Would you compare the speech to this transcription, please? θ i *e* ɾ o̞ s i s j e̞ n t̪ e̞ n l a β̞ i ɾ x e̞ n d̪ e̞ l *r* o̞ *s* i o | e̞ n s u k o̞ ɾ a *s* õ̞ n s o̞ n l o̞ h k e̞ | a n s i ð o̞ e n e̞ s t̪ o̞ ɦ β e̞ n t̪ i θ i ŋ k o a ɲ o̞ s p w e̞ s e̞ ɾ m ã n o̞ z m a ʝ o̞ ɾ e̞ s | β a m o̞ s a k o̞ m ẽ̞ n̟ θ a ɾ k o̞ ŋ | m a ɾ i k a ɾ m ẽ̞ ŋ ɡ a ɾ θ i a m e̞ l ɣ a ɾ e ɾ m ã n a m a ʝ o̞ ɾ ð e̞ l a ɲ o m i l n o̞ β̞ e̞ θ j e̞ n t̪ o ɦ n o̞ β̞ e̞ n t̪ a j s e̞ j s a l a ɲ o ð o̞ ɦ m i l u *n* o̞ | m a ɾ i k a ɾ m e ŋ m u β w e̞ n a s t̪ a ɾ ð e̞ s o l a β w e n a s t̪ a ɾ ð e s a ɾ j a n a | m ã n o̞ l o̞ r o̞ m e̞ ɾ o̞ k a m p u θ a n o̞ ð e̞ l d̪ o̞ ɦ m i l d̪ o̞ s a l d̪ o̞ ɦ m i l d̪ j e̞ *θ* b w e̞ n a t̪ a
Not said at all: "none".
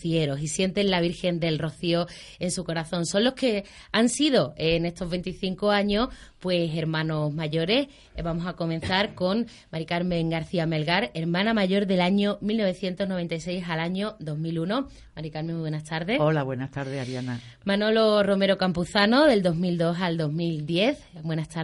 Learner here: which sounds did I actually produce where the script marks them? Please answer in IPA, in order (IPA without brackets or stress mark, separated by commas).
e, r, θ, θ, n, θ